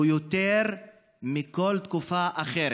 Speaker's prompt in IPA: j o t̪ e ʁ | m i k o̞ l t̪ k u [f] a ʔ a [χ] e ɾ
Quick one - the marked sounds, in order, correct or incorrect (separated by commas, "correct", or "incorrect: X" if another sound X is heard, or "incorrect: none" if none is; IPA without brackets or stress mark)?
correct, correct